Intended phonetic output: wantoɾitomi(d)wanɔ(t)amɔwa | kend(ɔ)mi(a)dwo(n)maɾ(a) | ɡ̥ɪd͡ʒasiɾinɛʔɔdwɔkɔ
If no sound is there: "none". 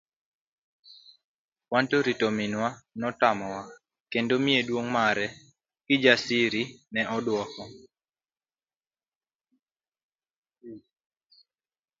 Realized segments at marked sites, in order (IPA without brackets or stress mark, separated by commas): n, t, o, e, ŋ, ɛ